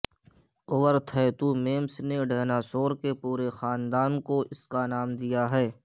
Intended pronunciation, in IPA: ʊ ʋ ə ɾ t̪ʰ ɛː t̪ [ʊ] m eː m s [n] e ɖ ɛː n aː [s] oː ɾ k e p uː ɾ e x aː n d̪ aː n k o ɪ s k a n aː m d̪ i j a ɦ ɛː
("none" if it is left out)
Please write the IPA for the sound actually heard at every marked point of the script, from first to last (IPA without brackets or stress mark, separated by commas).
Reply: u, n, s